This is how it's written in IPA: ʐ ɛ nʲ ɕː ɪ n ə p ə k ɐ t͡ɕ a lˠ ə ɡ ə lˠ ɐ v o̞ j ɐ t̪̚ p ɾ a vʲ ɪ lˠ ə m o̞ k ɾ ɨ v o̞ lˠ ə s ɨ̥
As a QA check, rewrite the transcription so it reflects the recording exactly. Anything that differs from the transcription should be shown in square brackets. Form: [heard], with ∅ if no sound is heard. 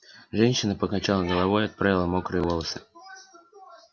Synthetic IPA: ʐ ɛ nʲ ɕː ɪ n ə p ə k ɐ t͡ɕ a lˠ ə ɡ ə lˠ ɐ v o̞ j ɐ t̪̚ p ɾ a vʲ ɪ lˠ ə m o̞ k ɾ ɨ v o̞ lˠ ə s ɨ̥